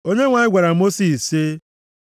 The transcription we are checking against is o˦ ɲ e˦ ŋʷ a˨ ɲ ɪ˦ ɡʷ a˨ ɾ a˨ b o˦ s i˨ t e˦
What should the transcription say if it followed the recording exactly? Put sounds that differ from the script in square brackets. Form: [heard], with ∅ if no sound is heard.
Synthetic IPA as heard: o˦ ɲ e˦ ŋʷ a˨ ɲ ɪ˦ ɡʷ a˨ ɾ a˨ [m] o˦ s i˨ [s] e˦